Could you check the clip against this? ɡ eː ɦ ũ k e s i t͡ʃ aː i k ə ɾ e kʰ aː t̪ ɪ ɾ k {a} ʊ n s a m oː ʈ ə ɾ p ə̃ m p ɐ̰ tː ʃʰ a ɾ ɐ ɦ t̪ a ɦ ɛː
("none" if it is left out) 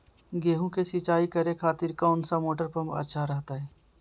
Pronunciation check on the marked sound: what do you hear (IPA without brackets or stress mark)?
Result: a